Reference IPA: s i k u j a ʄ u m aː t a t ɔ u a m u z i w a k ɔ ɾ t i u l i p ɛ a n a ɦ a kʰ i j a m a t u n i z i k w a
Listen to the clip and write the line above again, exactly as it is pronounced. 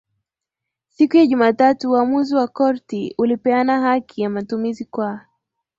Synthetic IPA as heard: s i k u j a ʄ u m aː t a t u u a m u z i w a k ɔ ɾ t i u l i p ɛ a n a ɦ a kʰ i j a m a t u m i z i k w a